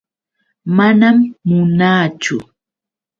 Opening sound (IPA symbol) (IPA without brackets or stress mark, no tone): m